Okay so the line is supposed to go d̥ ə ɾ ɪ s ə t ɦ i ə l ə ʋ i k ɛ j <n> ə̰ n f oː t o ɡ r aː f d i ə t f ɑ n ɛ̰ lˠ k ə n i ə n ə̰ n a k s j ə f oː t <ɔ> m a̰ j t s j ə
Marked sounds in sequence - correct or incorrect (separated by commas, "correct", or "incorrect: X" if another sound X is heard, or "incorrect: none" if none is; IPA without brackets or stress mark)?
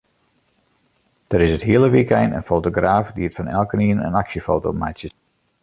correct, incorrect: o